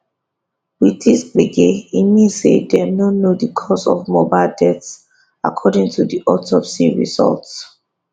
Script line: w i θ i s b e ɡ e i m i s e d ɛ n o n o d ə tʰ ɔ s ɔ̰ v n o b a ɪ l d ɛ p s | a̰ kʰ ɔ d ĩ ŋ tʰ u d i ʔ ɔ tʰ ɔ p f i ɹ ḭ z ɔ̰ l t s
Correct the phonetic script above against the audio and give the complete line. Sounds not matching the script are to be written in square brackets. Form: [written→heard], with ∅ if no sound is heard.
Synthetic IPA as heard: w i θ i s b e ɡ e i m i s e d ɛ n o n o d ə [tʰ→kʰ] ɔ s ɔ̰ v [n→m] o b a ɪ l d ɛ [p→t] s | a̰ kʰ ɔ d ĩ ŋ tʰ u d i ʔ ɔ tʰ ɔ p [f→s] i ɹ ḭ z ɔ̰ l t s